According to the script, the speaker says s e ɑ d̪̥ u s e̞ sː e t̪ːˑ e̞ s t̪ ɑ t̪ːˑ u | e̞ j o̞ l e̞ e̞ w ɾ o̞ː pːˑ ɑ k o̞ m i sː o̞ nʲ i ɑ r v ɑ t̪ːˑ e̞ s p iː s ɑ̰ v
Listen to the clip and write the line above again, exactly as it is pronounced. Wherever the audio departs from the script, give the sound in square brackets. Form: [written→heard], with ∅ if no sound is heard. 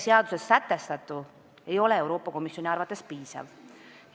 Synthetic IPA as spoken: s e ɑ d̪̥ u s e̞ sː [e→æ] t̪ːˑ e̞ s t̪ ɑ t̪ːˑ u | e̞ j o̞ l e̞ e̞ w ɾ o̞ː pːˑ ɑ k o̞ m i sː o̞ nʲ i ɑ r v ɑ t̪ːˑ e̞ s p iː s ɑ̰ v